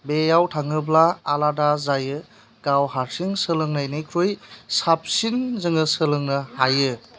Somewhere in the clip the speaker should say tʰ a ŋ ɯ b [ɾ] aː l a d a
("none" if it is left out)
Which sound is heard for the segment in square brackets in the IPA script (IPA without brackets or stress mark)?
l